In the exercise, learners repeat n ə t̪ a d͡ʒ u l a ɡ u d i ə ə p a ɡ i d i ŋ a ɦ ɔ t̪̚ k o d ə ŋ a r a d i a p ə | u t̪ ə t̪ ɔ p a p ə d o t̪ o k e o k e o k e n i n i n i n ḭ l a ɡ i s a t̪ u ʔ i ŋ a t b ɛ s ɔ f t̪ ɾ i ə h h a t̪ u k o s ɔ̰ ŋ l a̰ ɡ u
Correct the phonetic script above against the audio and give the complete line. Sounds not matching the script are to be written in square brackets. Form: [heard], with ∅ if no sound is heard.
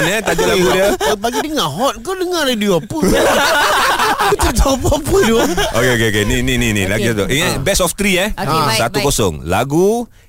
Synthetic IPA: n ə t̪ a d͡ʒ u l a ɡ u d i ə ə p a ɡ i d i ŋ a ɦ ɔ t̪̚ k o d ə ŋ a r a d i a p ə | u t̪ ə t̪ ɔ p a p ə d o [∅] o k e o k e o k e n i n i n i n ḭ l a ɡ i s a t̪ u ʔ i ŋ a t b ɛ s ɔ f t̪ ɾ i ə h [s] a t̪ u k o s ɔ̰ ŋ l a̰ ɡ u